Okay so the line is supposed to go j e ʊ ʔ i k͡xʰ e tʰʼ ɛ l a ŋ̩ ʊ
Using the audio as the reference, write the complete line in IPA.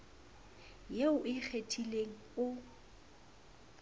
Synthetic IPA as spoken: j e ʊ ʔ ɪ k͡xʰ e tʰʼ i l e ŋ̩ ʊ